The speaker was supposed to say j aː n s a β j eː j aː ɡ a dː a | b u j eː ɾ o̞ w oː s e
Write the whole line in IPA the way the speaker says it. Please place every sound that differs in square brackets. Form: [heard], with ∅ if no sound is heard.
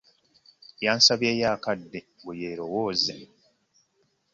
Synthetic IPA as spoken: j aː n s a β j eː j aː [k] a dː [e] | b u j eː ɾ o̞ w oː [z] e